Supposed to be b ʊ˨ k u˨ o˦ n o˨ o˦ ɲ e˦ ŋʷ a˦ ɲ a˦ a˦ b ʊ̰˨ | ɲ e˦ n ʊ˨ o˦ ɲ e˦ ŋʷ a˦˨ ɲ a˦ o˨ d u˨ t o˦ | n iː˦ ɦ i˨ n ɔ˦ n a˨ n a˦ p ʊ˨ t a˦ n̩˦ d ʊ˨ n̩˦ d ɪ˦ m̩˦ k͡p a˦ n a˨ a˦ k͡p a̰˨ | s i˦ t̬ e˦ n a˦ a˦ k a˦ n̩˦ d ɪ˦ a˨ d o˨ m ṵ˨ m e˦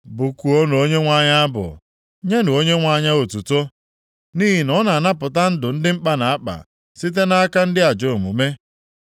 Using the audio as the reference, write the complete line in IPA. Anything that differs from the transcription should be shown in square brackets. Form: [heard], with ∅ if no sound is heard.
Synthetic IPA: b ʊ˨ k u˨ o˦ n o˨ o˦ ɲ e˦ ŋʷ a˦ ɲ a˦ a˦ b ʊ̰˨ | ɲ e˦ n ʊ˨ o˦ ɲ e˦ ŋʷ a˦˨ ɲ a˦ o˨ [t] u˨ t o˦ | n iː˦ ɦ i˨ n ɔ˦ n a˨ n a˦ p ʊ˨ t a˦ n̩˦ d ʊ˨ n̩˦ d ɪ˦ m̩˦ k͡p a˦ n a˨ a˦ k͡p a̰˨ | s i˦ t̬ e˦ n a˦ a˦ k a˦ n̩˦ d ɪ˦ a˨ [d͡ʒ] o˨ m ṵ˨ m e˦